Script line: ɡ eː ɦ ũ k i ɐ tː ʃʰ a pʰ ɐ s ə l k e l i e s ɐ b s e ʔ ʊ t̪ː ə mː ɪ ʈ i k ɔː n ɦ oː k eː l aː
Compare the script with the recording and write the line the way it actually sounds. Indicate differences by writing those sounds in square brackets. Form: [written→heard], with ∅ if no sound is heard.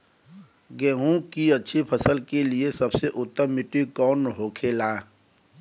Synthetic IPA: ɡ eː ɦ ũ k i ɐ tː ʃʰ [a→i] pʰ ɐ s ə l k e l i e s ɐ b s e ʔ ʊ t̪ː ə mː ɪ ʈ i k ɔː n ɦ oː [k→kʰ] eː l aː